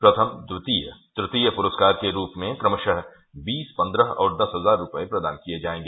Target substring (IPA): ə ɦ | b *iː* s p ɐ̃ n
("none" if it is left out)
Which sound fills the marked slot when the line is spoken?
iː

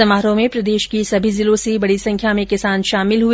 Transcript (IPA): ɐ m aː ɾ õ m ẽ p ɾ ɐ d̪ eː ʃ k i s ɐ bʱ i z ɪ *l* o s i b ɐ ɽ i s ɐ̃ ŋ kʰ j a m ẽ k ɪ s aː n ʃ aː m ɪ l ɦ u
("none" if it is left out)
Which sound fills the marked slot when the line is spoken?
l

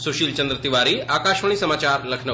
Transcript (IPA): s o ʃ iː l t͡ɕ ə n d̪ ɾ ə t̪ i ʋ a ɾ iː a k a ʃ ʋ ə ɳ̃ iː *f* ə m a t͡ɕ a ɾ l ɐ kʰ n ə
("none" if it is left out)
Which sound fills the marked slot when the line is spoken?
s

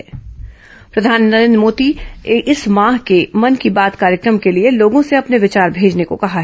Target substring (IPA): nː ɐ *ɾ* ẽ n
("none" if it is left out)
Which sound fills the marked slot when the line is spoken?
ɾ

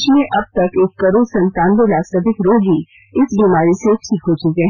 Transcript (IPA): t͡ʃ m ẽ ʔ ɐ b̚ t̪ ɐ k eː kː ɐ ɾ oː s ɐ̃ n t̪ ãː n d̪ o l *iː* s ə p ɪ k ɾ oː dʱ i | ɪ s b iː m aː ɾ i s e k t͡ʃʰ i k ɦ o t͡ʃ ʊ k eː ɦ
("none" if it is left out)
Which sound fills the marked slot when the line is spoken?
aː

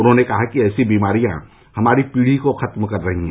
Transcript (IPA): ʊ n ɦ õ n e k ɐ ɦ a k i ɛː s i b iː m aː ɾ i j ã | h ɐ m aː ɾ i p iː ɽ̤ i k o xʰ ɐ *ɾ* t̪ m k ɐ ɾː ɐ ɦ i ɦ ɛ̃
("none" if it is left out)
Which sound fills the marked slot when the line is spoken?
none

